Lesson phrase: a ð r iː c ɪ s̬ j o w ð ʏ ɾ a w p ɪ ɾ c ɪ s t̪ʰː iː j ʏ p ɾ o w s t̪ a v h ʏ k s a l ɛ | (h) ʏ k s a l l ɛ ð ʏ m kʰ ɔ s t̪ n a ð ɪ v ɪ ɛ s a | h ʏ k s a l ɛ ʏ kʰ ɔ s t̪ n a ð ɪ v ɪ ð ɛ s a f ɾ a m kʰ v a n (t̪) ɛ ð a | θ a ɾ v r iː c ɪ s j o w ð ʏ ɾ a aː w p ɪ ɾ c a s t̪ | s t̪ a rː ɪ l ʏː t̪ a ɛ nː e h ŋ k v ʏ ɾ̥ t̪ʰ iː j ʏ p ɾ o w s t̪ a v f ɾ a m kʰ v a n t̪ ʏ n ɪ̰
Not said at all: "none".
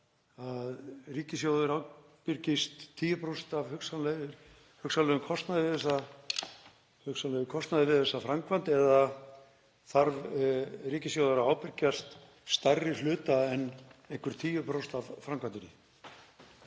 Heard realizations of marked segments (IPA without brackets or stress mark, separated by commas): h, t̪